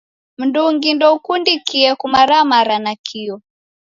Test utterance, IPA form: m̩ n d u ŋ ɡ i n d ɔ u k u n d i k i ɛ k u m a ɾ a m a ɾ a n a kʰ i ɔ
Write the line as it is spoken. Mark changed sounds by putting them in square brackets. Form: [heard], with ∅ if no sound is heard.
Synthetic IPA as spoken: m̩ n d u ŋ ɡ i n d ɔ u k u n d i k i ɛ k u m a ɾ a m a ɾ a n a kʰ i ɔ